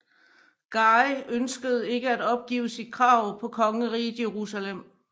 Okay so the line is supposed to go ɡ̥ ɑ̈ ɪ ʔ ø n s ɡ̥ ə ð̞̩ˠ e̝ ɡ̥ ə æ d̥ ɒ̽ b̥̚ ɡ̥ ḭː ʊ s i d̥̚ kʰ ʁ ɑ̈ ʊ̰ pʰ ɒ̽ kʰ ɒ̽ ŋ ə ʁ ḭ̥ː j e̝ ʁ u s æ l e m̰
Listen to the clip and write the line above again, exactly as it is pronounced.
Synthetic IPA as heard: ɡ̥ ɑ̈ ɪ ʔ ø n s ɡ̥ ə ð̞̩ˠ e̝ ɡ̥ ə æ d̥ ɒ̽ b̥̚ ɡ̥ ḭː ʊ s i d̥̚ kʰ ʁ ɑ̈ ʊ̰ pʰ ɒ̽ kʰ ɒ̽ ŋ ə ʁ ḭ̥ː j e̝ ʁ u s æ l e m̰